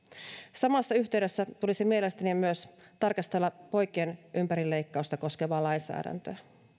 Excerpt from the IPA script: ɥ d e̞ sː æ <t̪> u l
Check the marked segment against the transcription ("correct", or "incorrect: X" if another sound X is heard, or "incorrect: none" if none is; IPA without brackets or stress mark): correct